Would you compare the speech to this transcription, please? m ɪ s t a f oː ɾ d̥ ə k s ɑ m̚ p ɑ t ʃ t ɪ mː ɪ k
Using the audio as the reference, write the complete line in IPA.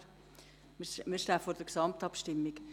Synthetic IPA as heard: m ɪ ʃ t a f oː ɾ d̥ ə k s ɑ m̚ t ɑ p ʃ t ɪ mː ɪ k